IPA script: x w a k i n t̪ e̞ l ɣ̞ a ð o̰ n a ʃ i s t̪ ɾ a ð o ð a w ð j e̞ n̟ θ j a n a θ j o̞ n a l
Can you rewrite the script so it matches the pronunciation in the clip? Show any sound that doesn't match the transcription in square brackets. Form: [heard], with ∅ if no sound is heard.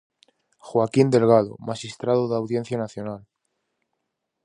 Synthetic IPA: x w a k i n [d̪] e̞ l ɣ̞ a ð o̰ [m] a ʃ i s t̪ ɾ a ð o ð a w ð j e̞ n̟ θ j a n a θ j o̞ n a l

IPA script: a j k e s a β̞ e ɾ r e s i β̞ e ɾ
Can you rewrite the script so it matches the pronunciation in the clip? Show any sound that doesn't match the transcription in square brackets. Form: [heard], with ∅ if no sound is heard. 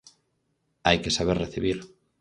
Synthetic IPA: a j k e s a β̞ e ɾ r e [θ] i β̞ [i] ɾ

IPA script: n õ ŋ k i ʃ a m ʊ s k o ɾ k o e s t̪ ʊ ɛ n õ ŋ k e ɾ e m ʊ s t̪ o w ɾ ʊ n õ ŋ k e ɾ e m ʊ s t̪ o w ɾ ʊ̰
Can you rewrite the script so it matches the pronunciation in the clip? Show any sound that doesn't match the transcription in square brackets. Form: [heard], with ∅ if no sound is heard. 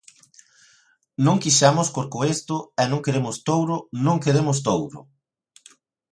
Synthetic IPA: n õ ŋ k i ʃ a m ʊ s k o ɾ k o e s t̪ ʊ ɛ n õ ŋ k e ɾ e m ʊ s t̪ o w ɾ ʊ n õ ŋ k e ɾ e m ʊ s t̪ o w ɾ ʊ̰

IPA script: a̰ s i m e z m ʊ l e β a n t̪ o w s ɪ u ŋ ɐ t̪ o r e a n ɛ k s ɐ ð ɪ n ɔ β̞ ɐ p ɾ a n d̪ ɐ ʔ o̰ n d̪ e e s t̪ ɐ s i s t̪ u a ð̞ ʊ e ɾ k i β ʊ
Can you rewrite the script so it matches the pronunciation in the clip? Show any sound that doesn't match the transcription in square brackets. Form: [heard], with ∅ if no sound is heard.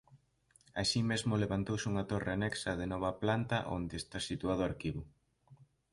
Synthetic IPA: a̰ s i m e z m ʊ l e β a n t̪ o w s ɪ u ŋ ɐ t̪ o r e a n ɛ k s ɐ ð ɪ n ɔ β̞ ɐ p [l] a n [t̪] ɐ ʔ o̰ n d̪ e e s t̪ [a] s i [∅] t̪ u a ð̞ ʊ [a] ɾ k i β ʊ

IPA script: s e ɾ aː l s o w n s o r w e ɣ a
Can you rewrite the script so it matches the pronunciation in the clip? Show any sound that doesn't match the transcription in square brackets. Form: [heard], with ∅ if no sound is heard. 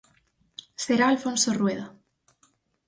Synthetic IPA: s e ɾ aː l [f] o [∅] n s o r w e [ð] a

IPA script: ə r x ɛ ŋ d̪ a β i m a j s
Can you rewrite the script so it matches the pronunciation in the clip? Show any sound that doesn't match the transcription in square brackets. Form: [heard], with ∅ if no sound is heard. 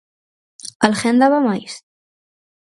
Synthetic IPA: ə [l] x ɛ [n] d̪ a β [a] m a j s

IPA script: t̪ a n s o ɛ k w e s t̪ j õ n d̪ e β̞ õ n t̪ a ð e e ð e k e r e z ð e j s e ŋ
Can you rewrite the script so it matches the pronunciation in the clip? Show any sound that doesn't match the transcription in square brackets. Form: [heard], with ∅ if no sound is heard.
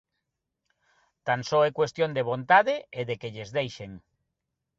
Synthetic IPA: t̪ a n s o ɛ k w e s t̪ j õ n d̪ e β̞ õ n t̪ a ð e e ð e k e [ʎ] e z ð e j [ʃ] e ŋ

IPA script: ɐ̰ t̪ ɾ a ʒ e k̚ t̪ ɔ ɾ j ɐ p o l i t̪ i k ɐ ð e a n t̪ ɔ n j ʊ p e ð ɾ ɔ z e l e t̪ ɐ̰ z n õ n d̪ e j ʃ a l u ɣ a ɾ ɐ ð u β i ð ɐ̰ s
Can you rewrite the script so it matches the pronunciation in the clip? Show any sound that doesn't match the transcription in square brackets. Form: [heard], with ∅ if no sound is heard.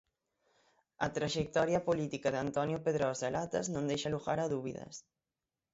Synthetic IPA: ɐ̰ t̪ ɾ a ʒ e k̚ t̪ ɔ ɾ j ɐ p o l i t̪ i k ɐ ð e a n t̪ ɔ n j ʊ p e ð ɾ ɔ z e l [a] t̪ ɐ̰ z n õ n d̪ e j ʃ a l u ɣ a ɾ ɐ ð u β i ð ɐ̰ s

